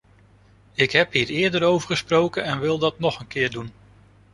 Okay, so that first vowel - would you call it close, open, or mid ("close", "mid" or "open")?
close